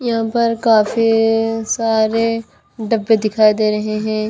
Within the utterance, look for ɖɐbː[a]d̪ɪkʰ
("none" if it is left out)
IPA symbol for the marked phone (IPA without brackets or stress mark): e